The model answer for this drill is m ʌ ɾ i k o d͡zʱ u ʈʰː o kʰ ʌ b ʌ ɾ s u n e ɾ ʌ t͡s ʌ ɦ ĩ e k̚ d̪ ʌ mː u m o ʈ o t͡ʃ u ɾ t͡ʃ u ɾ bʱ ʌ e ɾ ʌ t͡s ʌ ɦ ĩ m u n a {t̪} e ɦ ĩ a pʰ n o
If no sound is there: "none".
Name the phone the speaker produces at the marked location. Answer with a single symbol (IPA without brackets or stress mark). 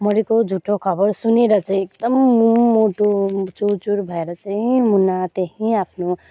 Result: t̪